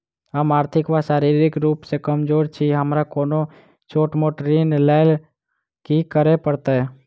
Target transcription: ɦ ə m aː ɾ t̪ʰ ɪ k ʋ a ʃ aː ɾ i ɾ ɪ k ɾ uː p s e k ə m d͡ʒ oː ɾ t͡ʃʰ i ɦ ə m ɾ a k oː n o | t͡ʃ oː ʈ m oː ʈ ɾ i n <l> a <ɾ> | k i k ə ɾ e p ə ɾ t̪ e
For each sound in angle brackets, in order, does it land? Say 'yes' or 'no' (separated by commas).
yes, no